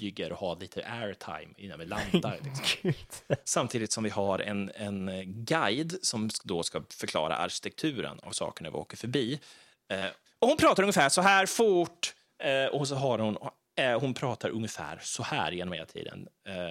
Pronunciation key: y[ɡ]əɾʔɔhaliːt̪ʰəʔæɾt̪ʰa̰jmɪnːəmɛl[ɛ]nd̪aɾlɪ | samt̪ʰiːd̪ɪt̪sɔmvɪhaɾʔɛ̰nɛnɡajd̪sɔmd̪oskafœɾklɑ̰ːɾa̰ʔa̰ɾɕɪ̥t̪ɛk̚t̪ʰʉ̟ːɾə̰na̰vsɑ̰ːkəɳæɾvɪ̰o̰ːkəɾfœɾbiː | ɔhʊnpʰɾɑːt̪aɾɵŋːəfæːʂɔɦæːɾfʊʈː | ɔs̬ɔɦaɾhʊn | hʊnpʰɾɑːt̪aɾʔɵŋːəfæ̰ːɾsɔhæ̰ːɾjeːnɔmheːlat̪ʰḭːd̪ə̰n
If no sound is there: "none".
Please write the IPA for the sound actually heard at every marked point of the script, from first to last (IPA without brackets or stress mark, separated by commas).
ɡ, a